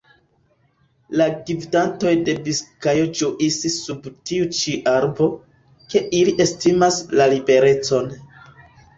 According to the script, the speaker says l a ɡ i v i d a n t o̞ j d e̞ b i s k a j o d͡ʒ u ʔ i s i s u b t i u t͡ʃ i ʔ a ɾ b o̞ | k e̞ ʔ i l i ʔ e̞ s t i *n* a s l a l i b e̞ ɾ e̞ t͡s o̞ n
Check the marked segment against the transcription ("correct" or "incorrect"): incorrect